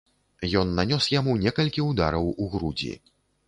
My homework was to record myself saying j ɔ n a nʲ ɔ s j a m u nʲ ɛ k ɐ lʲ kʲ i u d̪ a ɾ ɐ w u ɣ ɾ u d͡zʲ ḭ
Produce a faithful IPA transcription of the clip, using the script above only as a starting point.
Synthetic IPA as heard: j ɔ nː a nʲ ɔ s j a m u nʲ ɛ k ɐ lʲ kʲ i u d̪ a ɾ ɐ w u ɣ ɾ u d͡zʲ ḭ